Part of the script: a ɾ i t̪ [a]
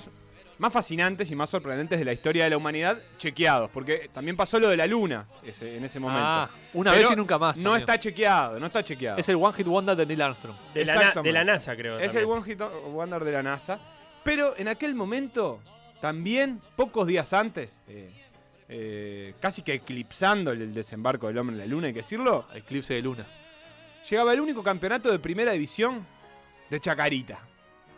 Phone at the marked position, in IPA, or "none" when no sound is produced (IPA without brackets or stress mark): a